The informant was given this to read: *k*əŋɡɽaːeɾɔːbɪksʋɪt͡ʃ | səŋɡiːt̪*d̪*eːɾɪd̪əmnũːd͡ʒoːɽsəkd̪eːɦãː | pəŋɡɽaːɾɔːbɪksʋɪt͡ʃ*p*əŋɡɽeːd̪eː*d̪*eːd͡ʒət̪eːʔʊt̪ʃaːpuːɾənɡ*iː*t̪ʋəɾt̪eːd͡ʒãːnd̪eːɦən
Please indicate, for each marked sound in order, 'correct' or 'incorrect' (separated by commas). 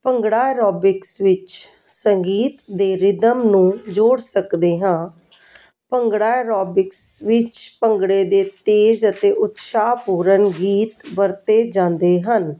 incorrect, correct, correct, incorrect, correct